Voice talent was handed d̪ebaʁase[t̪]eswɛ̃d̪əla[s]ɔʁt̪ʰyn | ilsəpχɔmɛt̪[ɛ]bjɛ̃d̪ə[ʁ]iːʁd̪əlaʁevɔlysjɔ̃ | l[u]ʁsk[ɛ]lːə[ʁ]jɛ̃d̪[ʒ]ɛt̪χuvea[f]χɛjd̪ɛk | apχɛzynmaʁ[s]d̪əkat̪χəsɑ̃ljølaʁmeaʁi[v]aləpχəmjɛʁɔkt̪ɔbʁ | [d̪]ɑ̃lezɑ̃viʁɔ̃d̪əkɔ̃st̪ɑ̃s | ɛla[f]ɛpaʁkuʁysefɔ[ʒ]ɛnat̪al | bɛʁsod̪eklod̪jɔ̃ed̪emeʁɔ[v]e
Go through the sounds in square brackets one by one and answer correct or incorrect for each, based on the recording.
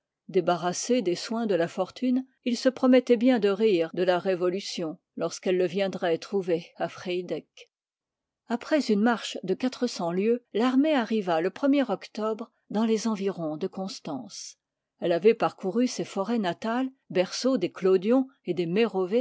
incorrect: d̪, incorrect: f, correct, correct, incorrect: ɔ, correct, incorrect: v, incorrect: ʁ, correct, incorrect: ʃ, correct, correct, incorrect: v, incorrect: ʁ, correct

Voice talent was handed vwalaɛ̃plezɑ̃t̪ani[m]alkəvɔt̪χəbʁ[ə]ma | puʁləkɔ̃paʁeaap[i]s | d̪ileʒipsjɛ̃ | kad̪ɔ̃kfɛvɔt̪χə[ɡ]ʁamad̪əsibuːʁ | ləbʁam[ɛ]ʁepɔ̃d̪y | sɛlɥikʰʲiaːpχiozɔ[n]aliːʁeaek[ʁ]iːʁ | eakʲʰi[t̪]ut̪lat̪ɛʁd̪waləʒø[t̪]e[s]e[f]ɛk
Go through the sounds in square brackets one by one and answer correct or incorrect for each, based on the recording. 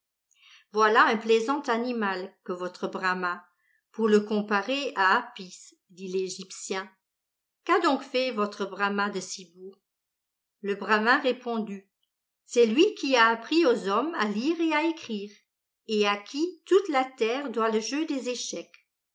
correct, incorrect: a, correct, incorrect: b, incorrect: ɛ̃, incorrect: m, incorrect: χ, correct, incorrect: d̪, incorrect: z, incorrect: ʃ

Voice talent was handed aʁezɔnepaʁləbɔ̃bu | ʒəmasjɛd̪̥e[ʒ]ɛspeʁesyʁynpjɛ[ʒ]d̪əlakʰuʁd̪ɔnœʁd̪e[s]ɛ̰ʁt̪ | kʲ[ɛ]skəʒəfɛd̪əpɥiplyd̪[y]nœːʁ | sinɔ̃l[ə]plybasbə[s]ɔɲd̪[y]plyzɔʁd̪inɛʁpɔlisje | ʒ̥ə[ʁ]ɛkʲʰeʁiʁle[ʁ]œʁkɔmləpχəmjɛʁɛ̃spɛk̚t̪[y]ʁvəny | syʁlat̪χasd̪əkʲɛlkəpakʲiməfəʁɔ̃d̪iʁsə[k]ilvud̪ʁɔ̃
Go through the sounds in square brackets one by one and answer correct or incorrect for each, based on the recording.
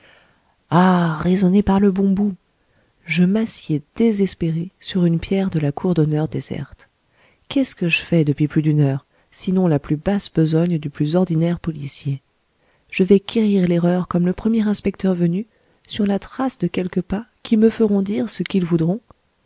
incorrect: z, incorrect: ʁ, incorrect: z, correct, correct, incorrect: a, incorrect: z, correct, incorrect: v, correct, incorrect: œ, correct

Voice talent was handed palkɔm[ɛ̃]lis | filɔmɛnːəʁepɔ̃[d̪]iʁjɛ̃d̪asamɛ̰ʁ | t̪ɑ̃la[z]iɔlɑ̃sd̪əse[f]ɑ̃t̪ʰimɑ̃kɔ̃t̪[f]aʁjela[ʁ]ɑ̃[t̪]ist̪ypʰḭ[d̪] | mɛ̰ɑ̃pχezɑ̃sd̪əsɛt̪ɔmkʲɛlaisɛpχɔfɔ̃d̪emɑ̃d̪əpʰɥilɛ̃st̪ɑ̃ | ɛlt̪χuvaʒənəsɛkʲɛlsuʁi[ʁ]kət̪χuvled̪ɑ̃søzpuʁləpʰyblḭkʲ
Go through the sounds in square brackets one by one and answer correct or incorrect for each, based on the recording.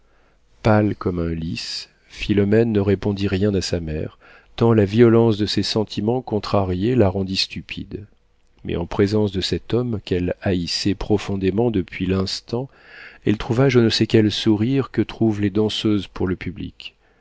correct, correct, incorrect: v, incorrect: s, incorrect: χ, correct, incorrect: d̪, correct, correct

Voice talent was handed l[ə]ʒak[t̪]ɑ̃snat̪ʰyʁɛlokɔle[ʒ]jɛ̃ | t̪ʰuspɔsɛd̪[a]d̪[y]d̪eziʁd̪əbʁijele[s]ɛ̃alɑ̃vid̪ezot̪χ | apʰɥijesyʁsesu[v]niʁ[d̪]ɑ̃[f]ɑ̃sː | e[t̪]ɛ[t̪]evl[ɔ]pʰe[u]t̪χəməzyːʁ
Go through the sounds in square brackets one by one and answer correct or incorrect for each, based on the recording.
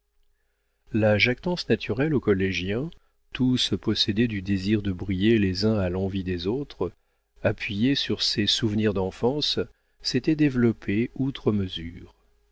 incorrect: a, correct, correct, incorrect: ɛ, correct, incorrect: z, correct, correct, correct, correct, incorrect: d̪, correct, correct

